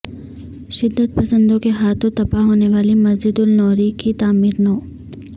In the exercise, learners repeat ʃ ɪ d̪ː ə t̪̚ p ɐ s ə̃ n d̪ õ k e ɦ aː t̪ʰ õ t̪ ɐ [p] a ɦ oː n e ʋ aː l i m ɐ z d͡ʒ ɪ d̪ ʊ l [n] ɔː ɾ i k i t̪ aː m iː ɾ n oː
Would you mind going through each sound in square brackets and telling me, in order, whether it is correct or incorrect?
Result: correct, correct

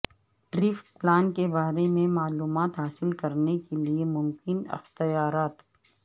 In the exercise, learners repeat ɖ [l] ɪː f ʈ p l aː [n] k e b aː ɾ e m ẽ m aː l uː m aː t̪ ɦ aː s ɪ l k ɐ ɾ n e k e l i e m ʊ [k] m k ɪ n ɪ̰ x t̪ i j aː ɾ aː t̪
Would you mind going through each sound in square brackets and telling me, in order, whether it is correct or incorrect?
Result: incorrect, correct, incorrect

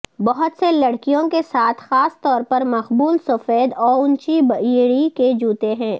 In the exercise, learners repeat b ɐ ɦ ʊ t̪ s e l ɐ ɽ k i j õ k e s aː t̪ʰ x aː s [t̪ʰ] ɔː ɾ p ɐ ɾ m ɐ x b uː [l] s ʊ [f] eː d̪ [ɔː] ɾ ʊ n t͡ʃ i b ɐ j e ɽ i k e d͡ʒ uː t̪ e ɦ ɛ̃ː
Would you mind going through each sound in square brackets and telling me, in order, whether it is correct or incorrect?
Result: incorrect, correct, correct, correct

